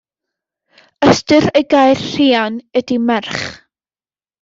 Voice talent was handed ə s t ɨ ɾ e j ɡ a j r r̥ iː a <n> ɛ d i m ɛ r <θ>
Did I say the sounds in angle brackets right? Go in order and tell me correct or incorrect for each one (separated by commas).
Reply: correct, incorrect